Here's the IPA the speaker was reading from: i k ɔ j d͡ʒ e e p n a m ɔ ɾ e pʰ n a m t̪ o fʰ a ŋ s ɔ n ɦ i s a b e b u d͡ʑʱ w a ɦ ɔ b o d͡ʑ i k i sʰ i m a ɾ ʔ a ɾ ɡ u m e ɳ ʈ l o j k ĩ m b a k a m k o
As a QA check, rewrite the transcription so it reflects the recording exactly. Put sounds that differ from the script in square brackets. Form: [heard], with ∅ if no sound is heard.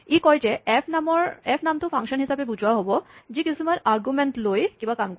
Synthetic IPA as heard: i k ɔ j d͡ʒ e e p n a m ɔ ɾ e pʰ n a m t̪ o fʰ a ŋ [ʃ] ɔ n ɦ i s a b e b u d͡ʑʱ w a ɦ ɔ b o d͡ʑ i k i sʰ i m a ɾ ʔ a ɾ ɡ u m e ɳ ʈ l o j k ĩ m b a k a m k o